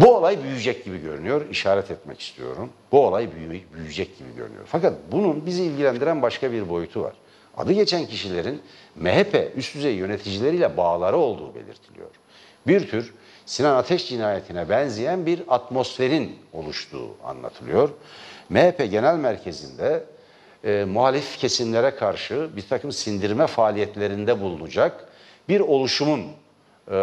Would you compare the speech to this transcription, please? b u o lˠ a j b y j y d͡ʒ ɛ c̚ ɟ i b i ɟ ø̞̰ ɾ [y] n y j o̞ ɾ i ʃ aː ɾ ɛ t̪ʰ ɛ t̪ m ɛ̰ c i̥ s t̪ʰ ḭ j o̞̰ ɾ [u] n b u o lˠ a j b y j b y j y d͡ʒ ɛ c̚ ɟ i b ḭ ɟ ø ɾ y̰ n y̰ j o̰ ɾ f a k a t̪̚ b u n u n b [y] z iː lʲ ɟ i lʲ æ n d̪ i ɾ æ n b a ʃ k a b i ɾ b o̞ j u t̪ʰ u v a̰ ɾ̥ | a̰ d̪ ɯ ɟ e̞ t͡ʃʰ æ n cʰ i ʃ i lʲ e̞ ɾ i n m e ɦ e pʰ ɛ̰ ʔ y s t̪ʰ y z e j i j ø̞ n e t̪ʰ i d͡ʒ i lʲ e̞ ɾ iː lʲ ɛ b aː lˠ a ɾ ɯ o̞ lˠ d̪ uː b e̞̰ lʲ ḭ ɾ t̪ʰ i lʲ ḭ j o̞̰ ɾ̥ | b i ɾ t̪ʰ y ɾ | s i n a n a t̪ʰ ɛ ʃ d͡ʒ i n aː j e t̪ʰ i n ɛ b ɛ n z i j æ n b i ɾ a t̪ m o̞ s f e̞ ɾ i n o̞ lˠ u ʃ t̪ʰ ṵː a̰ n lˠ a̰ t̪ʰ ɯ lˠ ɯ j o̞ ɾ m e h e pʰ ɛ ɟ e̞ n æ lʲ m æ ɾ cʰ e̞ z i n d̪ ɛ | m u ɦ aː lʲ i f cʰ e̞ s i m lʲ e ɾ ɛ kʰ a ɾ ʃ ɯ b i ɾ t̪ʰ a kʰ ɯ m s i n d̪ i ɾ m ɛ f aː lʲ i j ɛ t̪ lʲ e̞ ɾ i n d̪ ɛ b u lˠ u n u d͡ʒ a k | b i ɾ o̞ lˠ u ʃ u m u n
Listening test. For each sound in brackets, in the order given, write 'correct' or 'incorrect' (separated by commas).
correct, correct, incorrect